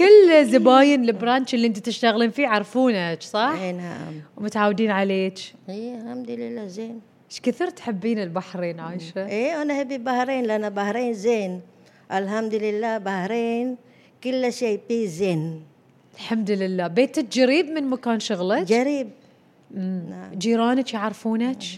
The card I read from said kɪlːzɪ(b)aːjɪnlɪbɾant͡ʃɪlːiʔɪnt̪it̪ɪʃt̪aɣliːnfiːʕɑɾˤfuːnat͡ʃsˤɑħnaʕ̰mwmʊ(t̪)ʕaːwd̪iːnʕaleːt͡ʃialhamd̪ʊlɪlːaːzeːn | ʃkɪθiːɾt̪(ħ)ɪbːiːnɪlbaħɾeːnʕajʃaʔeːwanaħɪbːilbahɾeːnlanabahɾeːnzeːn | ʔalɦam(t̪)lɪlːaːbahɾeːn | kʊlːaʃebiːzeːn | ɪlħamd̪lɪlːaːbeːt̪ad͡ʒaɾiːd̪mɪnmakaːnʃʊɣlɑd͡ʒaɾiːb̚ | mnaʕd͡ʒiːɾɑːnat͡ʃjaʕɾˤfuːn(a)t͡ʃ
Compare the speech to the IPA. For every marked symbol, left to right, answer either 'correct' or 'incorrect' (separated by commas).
correct, correct, correct, incorrect, correct